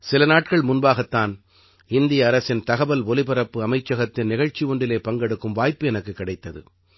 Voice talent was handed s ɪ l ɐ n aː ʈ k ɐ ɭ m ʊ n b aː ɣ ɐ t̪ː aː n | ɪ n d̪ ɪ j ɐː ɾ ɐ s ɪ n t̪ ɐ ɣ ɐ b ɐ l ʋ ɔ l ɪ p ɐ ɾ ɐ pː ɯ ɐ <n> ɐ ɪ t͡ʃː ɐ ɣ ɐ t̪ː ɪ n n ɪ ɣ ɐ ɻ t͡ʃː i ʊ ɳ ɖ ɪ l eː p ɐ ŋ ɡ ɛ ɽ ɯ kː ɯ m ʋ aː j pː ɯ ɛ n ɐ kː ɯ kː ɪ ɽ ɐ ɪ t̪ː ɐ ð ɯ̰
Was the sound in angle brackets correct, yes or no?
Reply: no